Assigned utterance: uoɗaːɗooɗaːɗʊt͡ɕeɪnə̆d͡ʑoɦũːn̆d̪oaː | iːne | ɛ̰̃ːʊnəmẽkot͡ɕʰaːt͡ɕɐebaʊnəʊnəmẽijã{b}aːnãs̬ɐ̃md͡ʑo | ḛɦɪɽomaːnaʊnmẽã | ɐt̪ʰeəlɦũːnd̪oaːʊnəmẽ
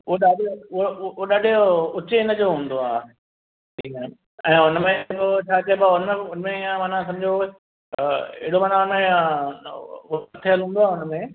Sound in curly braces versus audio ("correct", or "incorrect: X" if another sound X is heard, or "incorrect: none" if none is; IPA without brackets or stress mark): incorrect: m